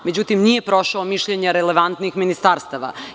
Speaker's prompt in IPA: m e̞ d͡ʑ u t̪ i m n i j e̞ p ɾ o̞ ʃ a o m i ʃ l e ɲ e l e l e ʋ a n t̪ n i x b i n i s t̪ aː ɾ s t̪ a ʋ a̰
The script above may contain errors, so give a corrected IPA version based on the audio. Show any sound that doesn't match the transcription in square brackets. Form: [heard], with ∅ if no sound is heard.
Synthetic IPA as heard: m e̞ d͡ʑ u t̪ i m n i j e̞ p ɾ o̞ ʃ a o m i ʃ [ʎ] e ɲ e [ɾ] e l e ʋ a n t̪ n i x [m] i n i s t̪ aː ɾ s t̪ a ʋ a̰